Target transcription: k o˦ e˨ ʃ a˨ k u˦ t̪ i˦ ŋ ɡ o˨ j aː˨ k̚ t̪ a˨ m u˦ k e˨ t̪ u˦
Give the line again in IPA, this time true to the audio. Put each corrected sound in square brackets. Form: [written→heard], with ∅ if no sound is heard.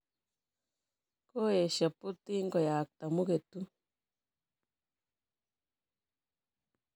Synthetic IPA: k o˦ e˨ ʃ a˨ [k→p] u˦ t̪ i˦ ŋ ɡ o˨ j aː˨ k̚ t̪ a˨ m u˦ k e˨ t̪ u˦